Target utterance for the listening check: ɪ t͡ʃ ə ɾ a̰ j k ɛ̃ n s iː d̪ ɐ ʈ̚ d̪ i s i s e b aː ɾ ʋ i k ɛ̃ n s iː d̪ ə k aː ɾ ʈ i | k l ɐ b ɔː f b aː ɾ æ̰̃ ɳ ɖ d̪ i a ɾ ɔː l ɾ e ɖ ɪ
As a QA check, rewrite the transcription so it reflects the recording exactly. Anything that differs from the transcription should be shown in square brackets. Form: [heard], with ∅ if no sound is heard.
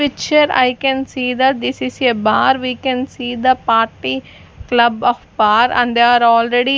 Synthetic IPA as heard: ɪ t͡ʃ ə ɾ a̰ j k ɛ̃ n s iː d̪ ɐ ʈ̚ d̪ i s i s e b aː ɾ ʋ i k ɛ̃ n s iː d̪ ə [p] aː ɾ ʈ i | k l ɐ b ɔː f b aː ɾ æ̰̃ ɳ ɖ d̪ [e] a ɾ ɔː l ɾ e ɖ [i]